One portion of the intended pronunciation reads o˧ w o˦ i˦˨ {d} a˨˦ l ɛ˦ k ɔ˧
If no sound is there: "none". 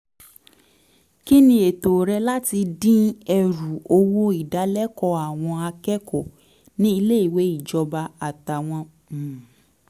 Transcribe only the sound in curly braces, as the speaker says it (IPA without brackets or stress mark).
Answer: d